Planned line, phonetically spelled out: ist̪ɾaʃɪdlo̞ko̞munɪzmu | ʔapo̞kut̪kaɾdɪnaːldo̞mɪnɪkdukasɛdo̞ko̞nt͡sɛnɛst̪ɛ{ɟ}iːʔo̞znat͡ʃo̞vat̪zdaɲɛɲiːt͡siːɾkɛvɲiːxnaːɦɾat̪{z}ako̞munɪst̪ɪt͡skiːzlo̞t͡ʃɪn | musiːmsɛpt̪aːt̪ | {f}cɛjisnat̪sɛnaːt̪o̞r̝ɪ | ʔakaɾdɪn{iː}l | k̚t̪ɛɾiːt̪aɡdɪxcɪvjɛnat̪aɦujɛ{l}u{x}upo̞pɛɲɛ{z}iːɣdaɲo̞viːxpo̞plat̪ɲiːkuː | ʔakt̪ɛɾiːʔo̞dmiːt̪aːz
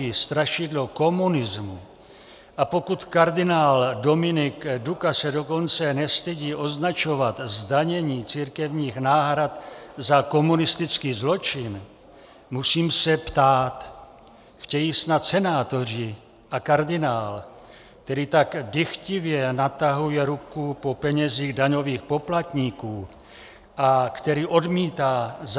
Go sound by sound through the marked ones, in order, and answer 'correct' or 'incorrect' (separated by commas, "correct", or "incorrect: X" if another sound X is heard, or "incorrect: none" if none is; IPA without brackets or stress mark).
correct, correct, incorrect: x, incorrect: aː, incorrect: ɾ, incorrect: k, correct